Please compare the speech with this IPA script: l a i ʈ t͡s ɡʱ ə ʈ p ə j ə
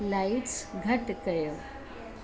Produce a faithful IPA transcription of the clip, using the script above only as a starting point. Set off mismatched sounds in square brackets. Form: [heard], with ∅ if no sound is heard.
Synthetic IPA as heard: l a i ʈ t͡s ɡʱ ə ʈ [k] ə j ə